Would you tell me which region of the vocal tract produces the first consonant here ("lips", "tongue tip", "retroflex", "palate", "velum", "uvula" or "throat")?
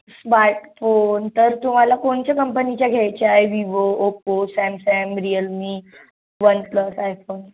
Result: tongue tip